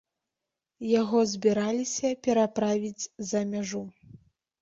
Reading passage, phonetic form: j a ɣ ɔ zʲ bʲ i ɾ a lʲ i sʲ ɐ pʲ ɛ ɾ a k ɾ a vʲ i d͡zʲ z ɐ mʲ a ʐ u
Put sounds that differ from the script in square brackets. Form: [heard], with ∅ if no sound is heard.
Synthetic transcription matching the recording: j a ɣ ɔ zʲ bʲ i ɾ a lʲ i sʲ ɐ pʲ ɛ ɾ a [p] ɾ a vʲ i d͡zʲ z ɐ mʲ a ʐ u